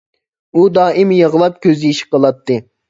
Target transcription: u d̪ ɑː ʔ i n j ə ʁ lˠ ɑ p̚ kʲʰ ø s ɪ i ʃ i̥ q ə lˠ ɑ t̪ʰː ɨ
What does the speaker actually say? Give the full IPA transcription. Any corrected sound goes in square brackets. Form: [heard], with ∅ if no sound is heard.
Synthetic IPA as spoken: u d̪ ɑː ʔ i [m] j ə ʁ lˠ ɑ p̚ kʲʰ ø [z] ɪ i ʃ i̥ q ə lˠ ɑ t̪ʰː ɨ

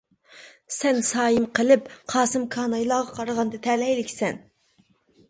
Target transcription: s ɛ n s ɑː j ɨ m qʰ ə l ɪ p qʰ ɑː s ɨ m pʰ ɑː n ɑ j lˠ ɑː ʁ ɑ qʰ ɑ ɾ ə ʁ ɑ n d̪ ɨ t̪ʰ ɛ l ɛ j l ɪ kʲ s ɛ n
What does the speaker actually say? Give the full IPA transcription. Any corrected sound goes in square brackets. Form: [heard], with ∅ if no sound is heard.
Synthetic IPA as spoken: s ɛ n s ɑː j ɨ m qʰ ə l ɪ p qʰ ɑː s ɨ m [kʰ] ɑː n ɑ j lˠ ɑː ʁ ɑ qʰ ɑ ɾ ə ʁ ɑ n d̪ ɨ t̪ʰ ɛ l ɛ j l ɪ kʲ s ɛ n

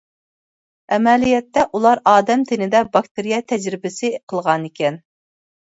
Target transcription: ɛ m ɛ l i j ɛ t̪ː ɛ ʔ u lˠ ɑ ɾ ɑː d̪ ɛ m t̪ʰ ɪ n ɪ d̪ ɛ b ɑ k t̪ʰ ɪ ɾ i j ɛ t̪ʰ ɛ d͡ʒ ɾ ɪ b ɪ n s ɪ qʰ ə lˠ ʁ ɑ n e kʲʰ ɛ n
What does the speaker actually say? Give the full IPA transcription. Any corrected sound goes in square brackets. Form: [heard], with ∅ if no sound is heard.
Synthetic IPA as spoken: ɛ m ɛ l i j ɛ t̪ː ɛ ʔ u lˠ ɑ ɾ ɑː d̪ ɛ m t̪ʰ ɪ n ɪ d̪ ɛ b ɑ k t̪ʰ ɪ ɾ i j ɛ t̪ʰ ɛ d͡ʒ ɾ ɪ b ɪ [∅] s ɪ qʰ ə lˠ ʁ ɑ n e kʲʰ ɛ n

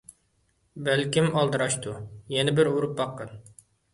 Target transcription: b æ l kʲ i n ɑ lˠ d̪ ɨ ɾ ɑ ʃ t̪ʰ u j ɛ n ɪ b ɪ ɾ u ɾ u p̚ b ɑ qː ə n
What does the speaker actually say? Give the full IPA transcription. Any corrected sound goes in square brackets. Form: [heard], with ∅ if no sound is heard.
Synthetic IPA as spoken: b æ l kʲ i [m] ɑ lˠ d̪ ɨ ɾ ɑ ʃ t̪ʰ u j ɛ n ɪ b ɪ ɾ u ɾ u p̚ b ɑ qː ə n

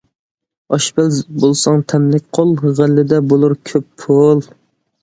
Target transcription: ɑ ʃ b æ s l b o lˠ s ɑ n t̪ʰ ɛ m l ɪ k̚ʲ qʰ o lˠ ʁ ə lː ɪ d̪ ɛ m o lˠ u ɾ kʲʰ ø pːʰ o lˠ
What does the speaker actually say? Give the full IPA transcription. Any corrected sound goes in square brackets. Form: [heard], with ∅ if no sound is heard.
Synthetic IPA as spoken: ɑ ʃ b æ [∅] l b o lˠ s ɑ [ŋ] t̪ʰ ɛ m l ɪ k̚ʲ qʰ o lˠ ʁ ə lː ɪ d̪ ɛ [b] o lˠ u ɾ kʲʰ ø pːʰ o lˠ

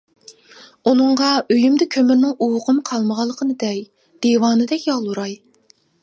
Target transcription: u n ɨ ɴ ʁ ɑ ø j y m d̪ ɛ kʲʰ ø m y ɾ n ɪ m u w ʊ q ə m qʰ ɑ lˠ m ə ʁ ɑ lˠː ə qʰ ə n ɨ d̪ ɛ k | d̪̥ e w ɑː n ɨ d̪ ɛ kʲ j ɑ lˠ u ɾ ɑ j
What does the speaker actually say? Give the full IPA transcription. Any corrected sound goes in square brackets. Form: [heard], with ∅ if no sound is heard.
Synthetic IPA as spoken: u n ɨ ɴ ʁ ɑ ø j y m d̪ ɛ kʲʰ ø m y ɾ n ɪ [ŋ] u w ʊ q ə m qʰ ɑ lˠ m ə ʁ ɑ lˠː ə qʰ ə n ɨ d̪ ɛ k | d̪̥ e w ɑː n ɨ d̪ ɛ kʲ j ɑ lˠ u ɾ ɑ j

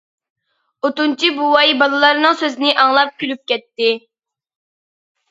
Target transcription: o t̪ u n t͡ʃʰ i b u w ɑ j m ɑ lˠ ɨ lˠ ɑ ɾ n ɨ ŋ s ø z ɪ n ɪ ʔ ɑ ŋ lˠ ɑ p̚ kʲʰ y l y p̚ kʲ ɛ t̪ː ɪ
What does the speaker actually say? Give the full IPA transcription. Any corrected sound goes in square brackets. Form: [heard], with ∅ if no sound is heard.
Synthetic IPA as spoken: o t̪ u n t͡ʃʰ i b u w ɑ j [b] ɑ lˠ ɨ lˠ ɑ ɾ n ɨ ŋ s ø z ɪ n ɪ ʔ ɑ ŋ lˠ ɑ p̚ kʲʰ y l y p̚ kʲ ɛ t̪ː ɪ

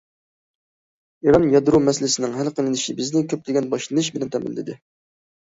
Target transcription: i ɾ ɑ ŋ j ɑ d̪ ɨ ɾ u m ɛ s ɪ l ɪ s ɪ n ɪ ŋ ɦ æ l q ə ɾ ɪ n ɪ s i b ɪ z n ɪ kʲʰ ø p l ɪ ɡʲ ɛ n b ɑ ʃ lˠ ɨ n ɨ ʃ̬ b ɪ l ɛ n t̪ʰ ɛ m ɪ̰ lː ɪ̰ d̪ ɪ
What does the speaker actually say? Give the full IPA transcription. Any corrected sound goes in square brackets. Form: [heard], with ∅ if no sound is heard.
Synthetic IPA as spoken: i ɾ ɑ [n] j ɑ d̪ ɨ ɾ u m ɛ s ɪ l ɪ s ɪ n ɪ ŋ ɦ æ l q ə [l] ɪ n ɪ [ʃ] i b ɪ z n ɪ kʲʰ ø p l ɪ ɡʲ ɛ n b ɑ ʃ lˠ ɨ n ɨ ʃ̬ b ɪ l ɛ n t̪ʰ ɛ m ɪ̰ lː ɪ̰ d̪ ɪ

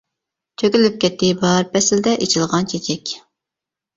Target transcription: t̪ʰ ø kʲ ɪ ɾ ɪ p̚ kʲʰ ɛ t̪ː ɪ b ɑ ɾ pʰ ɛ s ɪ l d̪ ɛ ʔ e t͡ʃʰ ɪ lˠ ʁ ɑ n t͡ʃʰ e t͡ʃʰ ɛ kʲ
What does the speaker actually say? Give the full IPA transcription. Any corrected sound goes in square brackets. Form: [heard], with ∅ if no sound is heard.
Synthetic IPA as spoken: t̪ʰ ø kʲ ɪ [l] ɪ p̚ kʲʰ ɛ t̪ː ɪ b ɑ ɾ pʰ ɛ s ɪ l d̪ ɛ ʔ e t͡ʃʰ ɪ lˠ ʁ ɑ n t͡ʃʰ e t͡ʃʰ ɛ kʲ

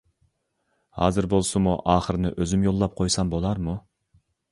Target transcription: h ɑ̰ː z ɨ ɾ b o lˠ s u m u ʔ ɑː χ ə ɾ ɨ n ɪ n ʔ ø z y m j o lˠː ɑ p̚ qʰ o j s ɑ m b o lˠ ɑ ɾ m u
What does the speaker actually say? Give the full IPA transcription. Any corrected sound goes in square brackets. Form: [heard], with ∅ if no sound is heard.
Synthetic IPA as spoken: h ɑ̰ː z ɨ ɾ b o lˠ s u m u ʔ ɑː χ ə ɾ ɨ n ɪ [∅] ʔ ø z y m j o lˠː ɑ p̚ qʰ o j s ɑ m b o lˠ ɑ ɾ m u

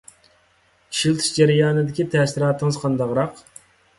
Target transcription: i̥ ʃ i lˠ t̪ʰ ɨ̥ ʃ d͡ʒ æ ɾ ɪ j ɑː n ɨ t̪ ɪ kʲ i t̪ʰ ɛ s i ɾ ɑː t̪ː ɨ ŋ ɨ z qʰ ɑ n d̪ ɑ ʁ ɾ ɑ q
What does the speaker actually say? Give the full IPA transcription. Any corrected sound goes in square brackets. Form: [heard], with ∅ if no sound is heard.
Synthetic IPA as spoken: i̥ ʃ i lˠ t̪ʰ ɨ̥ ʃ d͡ʒ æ ɾ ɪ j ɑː n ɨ [d̪] ɪ kʲ i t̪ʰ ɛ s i ɾ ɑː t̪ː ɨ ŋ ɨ z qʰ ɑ n d̪ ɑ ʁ ɾ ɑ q

